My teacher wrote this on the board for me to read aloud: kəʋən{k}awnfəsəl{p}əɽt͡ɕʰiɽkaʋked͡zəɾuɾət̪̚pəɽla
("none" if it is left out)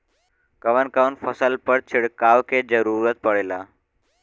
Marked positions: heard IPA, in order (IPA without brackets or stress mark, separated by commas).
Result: k, p